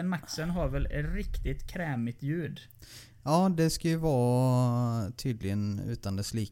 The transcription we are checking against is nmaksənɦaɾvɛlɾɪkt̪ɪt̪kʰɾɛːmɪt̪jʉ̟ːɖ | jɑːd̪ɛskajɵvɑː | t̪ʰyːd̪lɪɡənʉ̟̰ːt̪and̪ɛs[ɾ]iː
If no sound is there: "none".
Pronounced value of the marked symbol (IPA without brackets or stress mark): l